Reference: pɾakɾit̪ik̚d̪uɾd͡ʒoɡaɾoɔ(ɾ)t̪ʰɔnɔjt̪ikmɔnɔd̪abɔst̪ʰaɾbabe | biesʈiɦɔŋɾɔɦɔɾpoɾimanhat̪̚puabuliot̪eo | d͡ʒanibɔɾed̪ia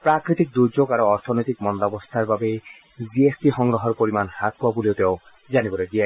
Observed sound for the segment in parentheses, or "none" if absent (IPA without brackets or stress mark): ɾ